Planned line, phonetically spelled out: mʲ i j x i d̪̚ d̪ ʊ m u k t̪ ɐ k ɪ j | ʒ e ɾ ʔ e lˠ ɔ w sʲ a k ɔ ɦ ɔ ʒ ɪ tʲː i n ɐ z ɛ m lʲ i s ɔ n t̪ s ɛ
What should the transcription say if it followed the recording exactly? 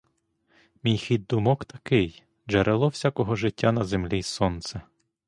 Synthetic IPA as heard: mʲ i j x i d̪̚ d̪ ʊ m ɔ k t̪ ɐ k ɪ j | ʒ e ɾ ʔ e lˠ ɔ w sʲ a k ɔ ɦ ɔ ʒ ɪ tʲː a n ɐ z e m lʲ i s ɔ n t̪ s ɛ